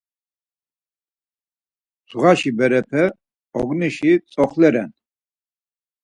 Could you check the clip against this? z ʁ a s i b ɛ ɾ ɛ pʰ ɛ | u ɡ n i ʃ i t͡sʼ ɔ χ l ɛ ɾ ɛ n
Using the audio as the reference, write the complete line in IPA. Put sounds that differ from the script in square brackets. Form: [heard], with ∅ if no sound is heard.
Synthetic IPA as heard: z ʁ a [ʃ] i b ɛ ɾ ɛ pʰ ɛ | [ɔ] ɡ n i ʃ i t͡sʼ ɔ χ l ɛ ɾ ɛ n